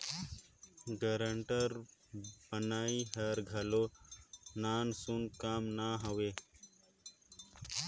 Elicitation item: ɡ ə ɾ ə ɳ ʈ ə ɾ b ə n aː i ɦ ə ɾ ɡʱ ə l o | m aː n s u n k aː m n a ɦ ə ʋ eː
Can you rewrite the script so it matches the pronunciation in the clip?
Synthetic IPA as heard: ɡ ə ɾ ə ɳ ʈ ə ɾ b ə n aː i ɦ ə ɾ ɡʱ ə l o | n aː n s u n k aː m n a ɦ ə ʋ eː